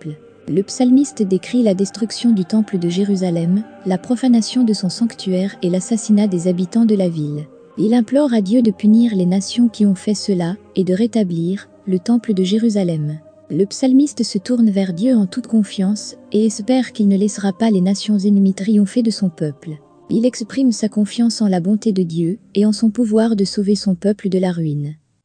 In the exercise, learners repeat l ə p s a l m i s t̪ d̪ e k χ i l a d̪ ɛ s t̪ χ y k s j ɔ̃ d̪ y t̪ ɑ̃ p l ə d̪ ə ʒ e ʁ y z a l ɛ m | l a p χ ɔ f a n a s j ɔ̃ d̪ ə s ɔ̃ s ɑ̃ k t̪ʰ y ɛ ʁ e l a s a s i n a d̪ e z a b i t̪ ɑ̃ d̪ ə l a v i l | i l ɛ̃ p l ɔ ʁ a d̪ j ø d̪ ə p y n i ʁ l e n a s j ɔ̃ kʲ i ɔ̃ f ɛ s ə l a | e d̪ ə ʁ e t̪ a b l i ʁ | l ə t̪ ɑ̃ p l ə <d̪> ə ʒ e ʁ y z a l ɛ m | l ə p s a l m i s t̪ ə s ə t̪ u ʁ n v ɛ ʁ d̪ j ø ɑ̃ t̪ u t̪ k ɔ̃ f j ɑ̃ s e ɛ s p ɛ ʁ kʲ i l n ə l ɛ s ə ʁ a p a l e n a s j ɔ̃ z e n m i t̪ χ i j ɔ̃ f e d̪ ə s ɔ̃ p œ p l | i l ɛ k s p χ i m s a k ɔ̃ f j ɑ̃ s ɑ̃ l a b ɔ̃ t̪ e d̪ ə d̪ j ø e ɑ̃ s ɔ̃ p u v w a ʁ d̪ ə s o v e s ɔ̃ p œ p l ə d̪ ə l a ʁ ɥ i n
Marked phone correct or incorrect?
correct